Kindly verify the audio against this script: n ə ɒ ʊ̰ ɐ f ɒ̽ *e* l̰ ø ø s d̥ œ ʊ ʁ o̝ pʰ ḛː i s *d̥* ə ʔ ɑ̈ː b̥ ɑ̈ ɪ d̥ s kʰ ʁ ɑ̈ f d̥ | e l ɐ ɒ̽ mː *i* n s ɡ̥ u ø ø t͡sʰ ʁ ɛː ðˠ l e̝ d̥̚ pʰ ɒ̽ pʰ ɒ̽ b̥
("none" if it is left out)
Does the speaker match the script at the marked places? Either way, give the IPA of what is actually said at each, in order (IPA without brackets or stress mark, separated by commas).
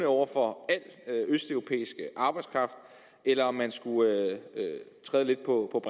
æ, ɡ̥, æ